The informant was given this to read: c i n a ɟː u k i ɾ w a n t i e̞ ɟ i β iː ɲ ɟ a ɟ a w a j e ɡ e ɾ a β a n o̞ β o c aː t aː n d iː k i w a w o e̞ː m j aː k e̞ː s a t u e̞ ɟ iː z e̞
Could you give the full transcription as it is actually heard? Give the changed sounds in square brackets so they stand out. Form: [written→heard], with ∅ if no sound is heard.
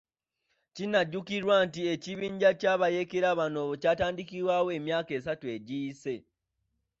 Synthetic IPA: c i n a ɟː u k i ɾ w a n t i e̞ [ɟ→c] i β iː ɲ ɟ a [ɟ→c] a [w→β] a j e [ɡ→k] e ɾ a β a n o̞ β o c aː t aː n d [iː→i] k i w a w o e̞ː m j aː k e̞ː s a t u e̞ ɟ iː [z→s] e̞